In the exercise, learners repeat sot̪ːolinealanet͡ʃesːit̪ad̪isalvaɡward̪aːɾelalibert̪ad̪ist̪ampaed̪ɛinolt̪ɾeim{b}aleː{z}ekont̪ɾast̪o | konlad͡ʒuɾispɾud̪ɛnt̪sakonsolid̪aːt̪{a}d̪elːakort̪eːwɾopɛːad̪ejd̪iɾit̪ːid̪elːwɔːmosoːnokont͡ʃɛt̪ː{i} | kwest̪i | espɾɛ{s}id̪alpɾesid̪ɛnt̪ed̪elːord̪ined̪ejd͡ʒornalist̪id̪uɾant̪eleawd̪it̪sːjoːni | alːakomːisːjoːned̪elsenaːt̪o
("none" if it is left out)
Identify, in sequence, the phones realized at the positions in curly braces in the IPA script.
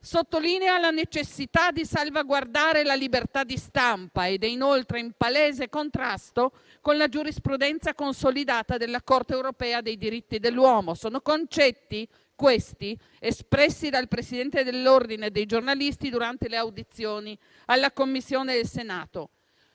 p, z, a, i, sː

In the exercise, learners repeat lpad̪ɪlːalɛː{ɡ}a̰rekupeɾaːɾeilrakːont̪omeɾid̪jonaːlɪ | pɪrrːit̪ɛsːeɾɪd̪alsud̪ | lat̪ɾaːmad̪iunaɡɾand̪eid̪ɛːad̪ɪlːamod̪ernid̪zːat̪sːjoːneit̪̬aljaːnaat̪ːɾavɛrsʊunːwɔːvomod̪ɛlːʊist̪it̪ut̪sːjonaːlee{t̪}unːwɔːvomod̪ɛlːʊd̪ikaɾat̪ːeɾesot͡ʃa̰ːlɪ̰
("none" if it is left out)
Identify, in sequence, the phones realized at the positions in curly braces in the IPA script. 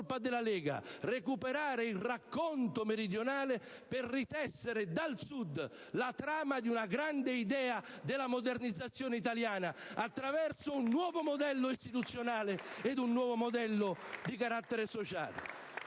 ɡ, d̪

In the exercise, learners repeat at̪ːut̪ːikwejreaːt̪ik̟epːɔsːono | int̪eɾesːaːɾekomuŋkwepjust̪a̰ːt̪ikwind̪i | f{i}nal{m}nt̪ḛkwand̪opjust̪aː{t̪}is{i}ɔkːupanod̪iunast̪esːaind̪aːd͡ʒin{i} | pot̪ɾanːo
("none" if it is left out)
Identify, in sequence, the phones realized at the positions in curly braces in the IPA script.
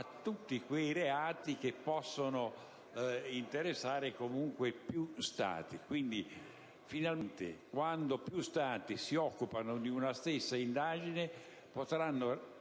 i, m, t̪, i, e

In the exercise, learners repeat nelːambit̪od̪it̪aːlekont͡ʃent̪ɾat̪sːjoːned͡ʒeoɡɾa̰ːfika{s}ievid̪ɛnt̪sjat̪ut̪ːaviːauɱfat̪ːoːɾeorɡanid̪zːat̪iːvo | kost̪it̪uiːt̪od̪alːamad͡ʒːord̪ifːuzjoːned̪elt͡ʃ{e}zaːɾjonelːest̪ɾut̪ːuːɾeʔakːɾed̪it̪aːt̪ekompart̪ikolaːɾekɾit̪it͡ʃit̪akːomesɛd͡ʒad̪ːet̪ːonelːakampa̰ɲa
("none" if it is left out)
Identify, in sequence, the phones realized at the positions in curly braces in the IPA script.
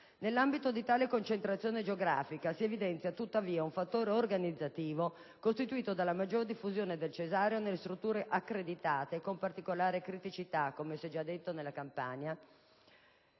s, e

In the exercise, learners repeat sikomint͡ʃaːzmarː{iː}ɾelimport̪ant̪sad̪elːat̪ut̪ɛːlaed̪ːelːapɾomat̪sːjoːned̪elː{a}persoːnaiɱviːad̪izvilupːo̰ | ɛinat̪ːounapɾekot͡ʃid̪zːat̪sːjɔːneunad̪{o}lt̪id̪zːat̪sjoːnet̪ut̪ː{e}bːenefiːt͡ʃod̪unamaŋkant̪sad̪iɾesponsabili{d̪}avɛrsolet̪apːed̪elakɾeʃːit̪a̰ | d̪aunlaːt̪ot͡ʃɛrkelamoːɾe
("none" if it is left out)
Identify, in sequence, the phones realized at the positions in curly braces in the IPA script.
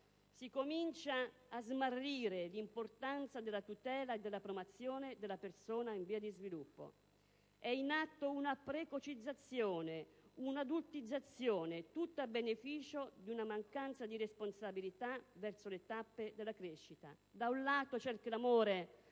iː, a, u, a, t̪

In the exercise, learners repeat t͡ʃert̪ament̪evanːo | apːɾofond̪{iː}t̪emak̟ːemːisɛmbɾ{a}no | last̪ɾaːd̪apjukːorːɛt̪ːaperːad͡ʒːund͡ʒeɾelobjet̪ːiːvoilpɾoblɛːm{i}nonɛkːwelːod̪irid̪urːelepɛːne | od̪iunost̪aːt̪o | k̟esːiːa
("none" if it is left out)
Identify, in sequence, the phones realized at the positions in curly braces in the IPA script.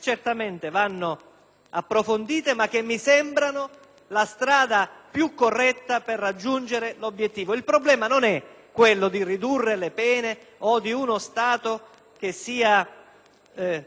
iː, a, a

